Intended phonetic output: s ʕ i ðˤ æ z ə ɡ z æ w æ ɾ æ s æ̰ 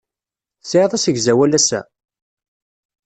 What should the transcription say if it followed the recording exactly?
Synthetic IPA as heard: s ʕ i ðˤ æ s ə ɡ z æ w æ l æ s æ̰